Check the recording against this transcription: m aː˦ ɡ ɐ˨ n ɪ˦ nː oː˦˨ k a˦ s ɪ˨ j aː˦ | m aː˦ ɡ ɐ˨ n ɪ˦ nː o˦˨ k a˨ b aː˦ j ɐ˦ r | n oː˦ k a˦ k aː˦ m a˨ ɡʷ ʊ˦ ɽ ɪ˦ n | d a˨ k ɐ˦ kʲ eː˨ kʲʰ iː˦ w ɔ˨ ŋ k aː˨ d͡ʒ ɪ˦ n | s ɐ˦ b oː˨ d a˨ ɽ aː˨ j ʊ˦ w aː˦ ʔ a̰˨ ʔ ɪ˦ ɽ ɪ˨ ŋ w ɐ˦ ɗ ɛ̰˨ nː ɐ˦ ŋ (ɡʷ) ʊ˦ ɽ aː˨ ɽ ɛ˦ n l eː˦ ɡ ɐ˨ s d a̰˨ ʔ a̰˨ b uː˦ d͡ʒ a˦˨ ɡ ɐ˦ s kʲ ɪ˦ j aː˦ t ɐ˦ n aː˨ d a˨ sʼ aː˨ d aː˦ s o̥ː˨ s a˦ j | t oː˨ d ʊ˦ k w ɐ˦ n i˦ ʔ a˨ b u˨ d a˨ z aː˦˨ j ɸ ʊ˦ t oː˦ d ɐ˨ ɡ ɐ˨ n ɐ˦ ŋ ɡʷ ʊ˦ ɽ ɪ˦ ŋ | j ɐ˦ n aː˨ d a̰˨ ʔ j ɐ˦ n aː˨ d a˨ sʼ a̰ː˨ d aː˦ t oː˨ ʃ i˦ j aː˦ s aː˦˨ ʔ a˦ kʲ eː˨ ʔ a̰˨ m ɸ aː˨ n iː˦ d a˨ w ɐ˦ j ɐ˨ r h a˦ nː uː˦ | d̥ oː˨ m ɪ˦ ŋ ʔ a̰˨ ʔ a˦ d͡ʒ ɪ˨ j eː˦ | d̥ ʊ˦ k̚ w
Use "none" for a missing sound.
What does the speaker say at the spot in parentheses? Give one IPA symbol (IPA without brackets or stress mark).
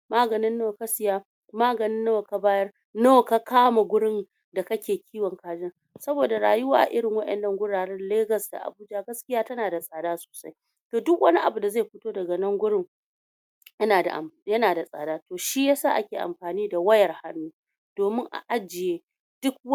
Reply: ɡʷ